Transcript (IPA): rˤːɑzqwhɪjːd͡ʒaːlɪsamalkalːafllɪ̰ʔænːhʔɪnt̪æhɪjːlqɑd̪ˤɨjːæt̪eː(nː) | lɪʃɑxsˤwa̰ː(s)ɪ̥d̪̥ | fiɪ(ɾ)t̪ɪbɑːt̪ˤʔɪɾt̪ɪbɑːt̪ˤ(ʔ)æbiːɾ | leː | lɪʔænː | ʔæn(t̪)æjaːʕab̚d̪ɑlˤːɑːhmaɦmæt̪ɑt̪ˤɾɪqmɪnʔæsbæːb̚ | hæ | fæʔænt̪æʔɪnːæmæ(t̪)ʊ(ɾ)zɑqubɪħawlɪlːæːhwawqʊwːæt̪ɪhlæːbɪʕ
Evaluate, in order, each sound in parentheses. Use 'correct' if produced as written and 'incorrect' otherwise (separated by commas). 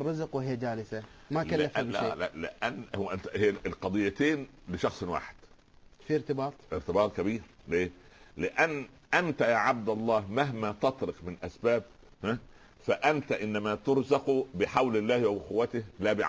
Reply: incorrect, incorrect, correct, incorrect, correct, correct, correct